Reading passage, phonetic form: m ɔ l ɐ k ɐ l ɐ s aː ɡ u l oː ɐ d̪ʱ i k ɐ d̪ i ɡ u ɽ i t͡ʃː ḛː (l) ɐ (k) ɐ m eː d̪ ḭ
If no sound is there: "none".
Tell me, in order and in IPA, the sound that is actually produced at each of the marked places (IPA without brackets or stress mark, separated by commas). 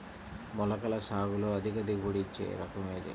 ɾ, k